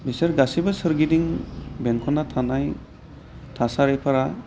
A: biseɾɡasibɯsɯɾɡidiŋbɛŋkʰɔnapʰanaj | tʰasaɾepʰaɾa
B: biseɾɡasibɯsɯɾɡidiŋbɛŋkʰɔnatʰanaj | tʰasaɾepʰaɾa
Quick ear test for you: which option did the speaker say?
B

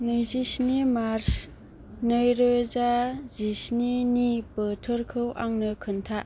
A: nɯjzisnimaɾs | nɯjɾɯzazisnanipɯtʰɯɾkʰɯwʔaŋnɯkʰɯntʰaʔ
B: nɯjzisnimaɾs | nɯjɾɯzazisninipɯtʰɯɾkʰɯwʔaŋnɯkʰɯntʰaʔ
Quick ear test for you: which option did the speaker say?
B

